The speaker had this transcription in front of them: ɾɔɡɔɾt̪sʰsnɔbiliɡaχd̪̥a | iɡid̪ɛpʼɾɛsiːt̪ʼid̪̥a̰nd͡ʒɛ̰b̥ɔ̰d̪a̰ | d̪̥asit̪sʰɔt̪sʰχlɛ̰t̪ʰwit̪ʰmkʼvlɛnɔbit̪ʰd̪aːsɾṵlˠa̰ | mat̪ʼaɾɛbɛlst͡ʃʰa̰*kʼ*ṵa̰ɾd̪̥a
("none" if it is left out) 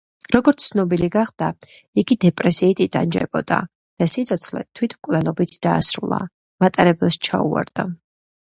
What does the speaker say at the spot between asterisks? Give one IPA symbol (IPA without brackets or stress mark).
none